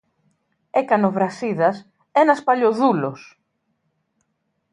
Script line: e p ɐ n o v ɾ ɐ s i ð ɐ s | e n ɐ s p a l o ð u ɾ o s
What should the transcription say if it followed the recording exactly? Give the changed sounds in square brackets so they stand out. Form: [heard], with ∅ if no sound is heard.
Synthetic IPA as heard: e [k] ɐ n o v ɾ ɐ s i ð ɐ s | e n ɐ s p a [ʎ] o ð u [l] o s